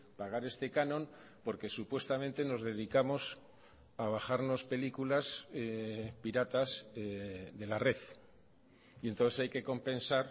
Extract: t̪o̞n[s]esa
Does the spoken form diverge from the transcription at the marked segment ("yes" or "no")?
yes